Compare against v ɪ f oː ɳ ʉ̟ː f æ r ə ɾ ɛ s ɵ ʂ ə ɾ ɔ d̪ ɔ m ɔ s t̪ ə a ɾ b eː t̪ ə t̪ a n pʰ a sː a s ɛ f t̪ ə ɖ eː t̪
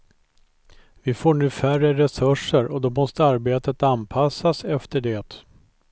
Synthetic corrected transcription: v ɪ f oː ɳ ʉ̟ː f æ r ə ɾ ɛ s ɵ ʂ ə ɾ ɔ d̪ ɔ m ɔ s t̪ ə a ɾ b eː t̪ ə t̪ a n pʰ a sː a s ɛ f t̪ ə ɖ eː t̪